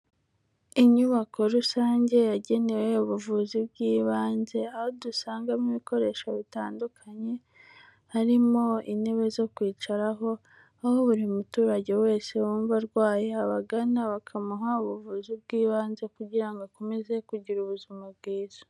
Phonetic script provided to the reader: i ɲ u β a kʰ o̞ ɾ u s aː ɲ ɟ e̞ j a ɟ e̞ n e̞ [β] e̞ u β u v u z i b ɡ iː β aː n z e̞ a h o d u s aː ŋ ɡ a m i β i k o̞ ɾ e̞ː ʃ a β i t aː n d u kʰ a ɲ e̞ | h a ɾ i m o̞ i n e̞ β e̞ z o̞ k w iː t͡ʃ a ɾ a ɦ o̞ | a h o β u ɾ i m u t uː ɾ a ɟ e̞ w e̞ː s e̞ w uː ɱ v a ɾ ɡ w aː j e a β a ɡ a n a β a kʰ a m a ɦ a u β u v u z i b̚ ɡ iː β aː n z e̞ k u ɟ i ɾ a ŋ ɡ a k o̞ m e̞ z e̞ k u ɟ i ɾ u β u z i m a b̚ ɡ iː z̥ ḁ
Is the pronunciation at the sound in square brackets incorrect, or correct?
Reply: incorrect